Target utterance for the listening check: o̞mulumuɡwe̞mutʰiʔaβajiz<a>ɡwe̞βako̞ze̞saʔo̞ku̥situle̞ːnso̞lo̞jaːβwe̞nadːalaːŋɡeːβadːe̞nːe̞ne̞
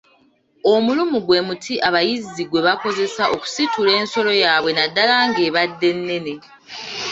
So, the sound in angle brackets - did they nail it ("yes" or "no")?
no